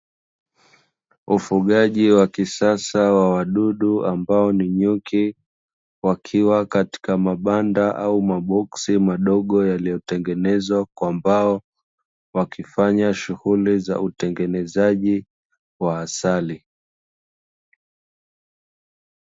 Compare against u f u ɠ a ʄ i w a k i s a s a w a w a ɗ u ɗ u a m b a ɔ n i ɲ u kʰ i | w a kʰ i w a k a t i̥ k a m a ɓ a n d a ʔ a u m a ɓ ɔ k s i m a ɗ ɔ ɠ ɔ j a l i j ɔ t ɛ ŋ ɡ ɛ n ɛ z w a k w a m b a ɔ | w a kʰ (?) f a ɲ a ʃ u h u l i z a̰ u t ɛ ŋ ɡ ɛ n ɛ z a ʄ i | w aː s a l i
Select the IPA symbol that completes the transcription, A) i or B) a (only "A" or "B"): A